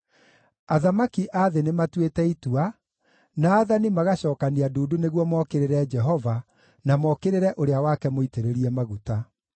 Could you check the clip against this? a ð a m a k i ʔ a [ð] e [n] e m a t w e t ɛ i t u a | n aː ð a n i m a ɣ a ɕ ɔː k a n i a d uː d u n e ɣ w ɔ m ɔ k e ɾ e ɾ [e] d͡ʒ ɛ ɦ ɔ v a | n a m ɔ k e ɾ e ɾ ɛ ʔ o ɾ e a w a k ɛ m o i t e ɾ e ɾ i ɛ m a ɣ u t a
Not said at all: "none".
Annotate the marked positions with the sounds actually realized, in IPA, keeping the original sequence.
ð, n, ɛ

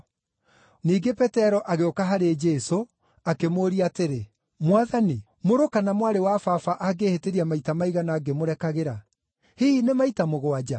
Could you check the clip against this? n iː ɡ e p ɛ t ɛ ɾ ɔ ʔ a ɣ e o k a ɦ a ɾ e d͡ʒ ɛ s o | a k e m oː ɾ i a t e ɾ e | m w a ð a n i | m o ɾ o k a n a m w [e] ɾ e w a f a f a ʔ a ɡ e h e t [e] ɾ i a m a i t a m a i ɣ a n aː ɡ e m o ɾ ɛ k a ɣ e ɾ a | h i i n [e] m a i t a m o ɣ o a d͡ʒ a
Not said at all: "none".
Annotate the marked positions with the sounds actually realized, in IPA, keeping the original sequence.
a, e, e

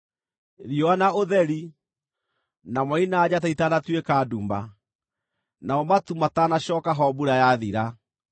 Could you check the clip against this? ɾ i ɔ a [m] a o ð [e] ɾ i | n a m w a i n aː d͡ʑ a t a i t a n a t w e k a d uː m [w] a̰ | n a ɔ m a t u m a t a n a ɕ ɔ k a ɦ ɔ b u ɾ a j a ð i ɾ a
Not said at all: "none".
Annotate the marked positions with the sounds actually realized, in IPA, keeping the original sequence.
n, ɛ, b

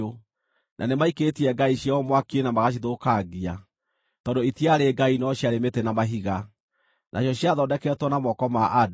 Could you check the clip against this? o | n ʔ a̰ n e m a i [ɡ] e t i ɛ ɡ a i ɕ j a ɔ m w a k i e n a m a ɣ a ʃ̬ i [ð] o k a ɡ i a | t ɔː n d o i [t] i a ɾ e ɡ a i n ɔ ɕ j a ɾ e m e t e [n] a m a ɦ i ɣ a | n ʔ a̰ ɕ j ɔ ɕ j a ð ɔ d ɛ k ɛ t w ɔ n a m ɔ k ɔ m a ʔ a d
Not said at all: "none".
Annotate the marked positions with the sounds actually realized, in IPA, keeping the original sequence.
k, ð, t, n

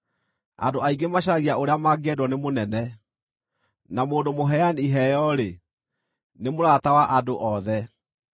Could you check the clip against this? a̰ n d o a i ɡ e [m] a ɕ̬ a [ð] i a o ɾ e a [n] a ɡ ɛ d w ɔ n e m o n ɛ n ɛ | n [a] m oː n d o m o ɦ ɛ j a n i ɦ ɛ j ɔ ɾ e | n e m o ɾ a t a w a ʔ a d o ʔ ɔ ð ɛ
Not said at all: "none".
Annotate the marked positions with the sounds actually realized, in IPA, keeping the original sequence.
m, ɣ, m, a

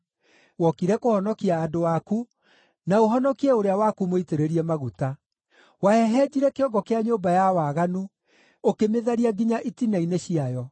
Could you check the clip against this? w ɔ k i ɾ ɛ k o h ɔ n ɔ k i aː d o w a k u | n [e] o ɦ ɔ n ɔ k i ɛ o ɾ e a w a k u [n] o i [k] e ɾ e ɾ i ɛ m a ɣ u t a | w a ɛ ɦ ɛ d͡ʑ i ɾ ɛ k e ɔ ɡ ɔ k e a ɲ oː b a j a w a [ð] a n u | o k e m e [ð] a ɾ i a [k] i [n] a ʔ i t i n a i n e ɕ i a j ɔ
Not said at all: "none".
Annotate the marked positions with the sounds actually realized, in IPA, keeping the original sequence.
a, m, t, ɣ, ð, ɡ, ɲ

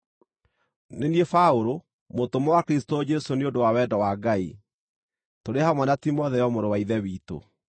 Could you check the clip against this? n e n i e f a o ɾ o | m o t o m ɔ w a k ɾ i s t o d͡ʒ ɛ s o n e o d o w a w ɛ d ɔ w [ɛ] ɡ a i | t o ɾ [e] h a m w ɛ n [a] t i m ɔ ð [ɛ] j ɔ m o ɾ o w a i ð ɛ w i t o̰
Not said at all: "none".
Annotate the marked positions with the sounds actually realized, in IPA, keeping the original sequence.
a, e, a, ɛ

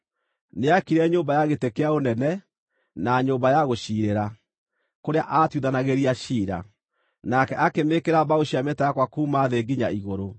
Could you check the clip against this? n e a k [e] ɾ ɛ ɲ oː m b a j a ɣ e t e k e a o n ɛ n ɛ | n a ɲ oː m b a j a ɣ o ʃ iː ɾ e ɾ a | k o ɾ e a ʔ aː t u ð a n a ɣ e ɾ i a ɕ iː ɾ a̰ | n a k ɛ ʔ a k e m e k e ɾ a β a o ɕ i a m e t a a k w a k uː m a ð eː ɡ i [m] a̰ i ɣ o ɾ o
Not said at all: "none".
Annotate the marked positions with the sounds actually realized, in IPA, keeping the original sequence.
i, ɲ

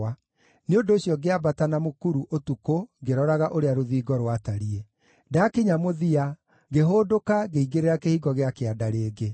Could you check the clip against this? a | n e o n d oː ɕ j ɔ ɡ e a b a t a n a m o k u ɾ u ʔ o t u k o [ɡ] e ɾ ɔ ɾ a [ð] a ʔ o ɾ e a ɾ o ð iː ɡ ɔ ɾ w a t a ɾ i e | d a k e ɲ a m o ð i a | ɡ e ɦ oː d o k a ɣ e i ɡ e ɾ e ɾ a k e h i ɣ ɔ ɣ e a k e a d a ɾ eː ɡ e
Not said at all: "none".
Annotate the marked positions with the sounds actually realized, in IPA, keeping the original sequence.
ɡ, ɣ

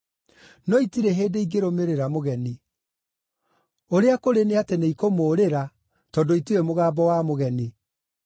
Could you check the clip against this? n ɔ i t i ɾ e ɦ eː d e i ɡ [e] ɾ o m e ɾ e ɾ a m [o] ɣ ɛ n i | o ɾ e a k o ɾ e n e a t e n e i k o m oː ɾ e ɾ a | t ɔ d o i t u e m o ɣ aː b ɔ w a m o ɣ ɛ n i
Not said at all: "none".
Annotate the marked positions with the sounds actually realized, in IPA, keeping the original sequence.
e, o

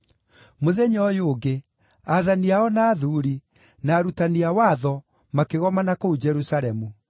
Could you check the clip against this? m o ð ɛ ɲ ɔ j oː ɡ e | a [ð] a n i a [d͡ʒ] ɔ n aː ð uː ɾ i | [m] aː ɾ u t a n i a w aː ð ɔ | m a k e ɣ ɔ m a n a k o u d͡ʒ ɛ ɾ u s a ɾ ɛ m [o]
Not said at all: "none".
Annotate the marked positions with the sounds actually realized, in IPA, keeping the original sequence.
ð, none, n, u

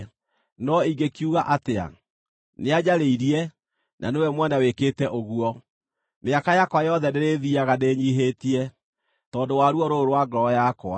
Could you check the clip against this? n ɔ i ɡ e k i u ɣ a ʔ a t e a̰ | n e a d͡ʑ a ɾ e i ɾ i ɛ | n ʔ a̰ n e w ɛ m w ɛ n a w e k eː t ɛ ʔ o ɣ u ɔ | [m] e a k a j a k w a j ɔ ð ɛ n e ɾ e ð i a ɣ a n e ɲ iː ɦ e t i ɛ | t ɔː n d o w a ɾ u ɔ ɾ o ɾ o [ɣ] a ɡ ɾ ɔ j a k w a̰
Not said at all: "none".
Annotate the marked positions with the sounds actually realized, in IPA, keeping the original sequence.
m, w

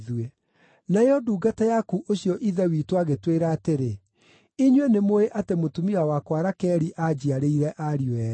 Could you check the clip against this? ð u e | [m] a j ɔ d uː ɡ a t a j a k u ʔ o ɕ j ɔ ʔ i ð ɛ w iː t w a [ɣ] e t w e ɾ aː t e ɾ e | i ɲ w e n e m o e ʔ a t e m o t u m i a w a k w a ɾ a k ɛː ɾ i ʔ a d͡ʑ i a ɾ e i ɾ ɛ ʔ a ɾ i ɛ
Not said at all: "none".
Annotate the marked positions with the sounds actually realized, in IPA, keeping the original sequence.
n, ɣ

